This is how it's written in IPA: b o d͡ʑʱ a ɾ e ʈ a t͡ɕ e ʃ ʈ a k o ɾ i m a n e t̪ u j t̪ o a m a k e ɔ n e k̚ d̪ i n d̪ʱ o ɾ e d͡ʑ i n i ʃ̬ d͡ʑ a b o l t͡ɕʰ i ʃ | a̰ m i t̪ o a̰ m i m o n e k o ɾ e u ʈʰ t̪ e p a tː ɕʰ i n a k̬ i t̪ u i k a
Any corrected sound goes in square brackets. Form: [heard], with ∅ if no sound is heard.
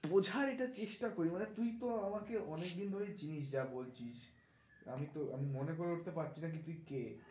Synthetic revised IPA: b o d͡ʑʱ a ɾ e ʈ a t͡ɕ e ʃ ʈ a k o ɾ i m a n e t̪ u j t̪ o a m a k e ɔ n e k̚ d̪ i n d̪ʱ o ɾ e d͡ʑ i n i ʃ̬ d͡ʑ a b o l t͡ɕʰ i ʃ | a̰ m i t̪ o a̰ m i m o n e k o ɾ e u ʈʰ t̪ e p a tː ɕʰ i n a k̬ i t̪ u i k [e]